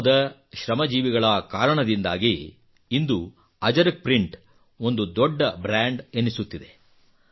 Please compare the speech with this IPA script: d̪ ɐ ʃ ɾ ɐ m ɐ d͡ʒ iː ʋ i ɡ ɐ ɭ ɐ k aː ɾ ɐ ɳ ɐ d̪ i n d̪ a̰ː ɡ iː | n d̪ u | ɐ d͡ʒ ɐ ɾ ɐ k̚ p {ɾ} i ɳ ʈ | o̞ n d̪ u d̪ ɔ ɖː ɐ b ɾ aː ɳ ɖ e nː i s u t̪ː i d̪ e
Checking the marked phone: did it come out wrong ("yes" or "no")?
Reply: no